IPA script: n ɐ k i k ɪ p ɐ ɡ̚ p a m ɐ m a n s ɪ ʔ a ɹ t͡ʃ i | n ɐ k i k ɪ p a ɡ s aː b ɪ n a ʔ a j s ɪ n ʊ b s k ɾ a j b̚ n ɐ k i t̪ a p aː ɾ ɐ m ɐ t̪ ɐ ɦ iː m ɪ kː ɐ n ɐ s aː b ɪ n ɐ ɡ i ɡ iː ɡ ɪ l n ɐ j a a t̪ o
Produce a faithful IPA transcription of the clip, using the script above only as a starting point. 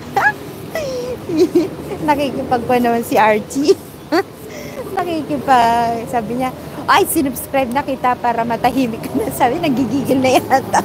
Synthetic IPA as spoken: n ɐ k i k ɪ p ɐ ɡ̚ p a n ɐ m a n s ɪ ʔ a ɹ t͡ʃ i | n ɐ k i k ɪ p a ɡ s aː b ɪ ɲ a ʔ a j s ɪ n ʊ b s k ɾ a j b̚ n ɐ k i t̪ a p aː ɾ ɐ m ɐ t̪ ɐ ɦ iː m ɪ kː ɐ n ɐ s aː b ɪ n ɐ ɡ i ɡ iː ɡ ɪ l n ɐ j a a t̪ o

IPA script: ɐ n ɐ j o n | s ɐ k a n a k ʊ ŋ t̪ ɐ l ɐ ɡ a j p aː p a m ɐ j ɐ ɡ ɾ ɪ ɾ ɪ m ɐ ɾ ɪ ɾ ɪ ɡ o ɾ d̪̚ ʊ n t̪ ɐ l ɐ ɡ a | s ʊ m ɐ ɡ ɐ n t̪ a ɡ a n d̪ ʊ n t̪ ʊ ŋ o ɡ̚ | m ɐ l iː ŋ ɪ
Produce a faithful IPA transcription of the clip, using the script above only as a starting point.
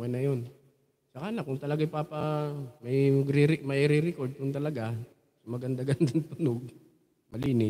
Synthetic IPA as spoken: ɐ n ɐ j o n | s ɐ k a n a k ʊ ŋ t̪ ɐ l ɐ ɡ a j p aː p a m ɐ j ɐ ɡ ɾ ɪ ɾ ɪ m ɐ ɾ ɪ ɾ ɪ k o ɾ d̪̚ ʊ n t̪ ɐ l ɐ ɡ a | s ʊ m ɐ ɡ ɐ n d̪ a ɡ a n d̪ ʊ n t̪ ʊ n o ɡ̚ | m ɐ l iː n ɪ

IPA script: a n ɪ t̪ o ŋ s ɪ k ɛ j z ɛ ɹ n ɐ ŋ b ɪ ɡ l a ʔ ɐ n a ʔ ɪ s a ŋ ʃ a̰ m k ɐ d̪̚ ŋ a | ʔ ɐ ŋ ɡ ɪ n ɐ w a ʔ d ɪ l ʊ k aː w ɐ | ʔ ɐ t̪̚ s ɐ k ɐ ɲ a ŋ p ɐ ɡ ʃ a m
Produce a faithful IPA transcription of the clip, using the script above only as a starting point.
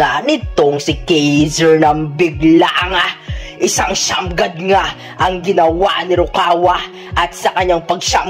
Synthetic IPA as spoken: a n ɪ t̪ o ŋ s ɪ k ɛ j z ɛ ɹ n ɐ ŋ b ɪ ɡ l a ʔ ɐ ŋ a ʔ ɪ s a ŋ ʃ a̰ m ɡ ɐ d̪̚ ŋ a | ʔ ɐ ŋ ɡ ɪ n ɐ w a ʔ n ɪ ɾ ʊ k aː w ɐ | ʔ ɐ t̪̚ s ɐ k ɐ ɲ a ŋ p ɐ ɡ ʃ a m

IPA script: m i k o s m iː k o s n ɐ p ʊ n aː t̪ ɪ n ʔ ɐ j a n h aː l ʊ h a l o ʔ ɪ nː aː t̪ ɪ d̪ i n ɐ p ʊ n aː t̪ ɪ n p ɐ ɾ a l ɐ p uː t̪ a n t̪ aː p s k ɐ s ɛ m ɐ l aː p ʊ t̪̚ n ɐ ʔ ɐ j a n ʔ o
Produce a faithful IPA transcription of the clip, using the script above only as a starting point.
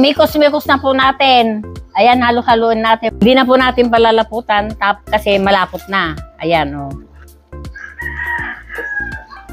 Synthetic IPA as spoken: m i k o s m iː k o s n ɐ p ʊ n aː t̪ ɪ n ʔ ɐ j a n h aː l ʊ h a l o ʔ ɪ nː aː t̪ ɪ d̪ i n ɐ p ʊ n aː t̪ ɪ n p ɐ l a l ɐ p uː t̪ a n t̪ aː p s k ɐ s ɛ m ɐ l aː p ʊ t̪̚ n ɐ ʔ ɐ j a n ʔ o

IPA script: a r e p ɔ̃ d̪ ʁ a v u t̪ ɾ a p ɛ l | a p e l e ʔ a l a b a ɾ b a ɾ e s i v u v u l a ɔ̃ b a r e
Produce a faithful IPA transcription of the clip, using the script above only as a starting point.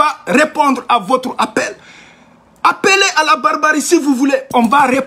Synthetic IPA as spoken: a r e p ɔ̃ d̪ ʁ a v o t̪ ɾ a p ɛ l | a p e l e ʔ a l a b a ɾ b a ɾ i s i v u v u l e ɔ̃ v a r e

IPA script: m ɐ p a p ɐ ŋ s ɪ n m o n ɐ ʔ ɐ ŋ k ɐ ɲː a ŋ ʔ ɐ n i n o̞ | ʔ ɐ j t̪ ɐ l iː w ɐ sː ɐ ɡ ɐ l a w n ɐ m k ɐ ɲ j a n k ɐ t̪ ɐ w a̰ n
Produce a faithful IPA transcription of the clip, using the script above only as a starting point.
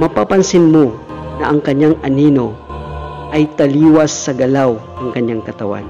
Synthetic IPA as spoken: m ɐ p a p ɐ n s ɪ n m o n ɐ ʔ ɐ ŋ k ɐ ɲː a ŋ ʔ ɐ n i n o̞ | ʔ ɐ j t̪ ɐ l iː w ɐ sː ɐ ɡ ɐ l a w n ɐ ŋ k ɐ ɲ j a ŋ k ɐ t̪ ɐ w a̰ n

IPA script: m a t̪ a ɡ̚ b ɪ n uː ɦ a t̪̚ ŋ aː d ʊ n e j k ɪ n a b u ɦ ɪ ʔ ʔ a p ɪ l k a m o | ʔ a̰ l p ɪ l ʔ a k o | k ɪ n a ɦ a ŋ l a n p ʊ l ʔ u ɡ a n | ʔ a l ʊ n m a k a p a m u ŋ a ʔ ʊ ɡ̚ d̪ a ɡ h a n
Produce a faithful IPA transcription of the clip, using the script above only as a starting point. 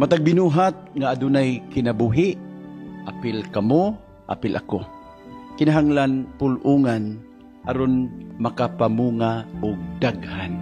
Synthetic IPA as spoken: m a t̪ a ɡ̚ b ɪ n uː ɦ a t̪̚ ŋ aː d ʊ n a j k ɪ n a b u ɦ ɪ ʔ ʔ a p ɪ l k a m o | ʔ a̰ p ɪ l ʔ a k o | k ɪ n a ɦ a ŋ l a n p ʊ l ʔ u ŋ a n | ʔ a ɾ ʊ n m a k a p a m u ŋ a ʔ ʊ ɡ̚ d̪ a ɡ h a n

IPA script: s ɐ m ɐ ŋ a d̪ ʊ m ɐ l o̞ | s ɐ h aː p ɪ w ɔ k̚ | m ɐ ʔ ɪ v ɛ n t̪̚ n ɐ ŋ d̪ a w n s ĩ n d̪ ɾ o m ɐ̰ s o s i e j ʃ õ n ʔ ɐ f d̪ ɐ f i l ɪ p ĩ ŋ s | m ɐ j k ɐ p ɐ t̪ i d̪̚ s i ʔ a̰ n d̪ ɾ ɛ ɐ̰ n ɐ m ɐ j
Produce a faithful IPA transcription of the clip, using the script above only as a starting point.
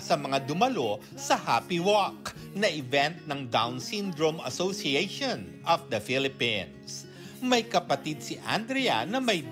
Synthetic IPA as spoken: s ɐ m ɐ ŋ a d̪ ʊ m ɐ l o̞ | s ɐ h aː p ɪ w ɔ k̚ | n ɐ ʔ ɪ v ɛ n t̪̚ n ɐ ŋ d̪ a w n s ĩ n d̪ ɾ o m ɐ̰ s o s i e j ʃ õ n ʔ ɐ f d̪ ɐ f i l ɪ p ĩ n s | m ɐ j k ɐ p ɐ t̪ i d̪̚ s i ʔ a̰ n d̪ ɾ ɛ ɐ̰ n ɐ m ɐ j

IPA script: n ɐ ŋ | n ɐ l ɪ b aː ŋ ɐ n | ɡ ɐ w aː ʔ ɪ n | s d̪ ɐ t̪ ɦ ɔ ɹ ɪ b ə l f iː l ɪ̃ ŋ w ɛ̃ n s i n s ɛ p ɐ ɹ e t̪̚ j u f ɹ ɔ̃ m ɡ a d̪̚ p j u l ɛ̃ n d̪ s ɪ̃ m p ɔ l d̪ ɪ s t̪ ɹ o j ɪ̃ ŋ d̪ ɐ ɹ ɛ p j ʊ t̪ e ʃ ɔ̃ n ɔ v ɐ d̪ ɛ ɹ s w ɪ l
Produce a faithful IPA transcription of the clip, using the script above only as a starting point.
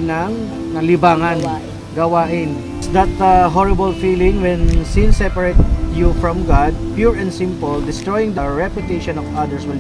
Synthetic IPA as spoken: n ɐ ŋ | n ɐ l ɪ b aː ŋ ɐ n | ɡ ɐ w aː ʔ ɪ n | s d̪ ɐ t̪ ɦ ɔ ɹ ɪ b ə l f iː l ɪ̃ ŋ w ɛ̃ n s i n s ɛ p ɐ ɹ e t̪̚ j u f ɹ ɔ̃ m ɡ a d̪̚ p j u ɹ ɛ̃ n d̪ s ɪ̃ m p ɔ l d̪ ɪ s t̪ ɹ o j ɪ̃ ŋ d̪ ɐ ɹ ɛ p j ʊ t̪ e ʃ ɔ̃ n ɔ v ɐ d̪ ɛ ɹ s w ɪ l

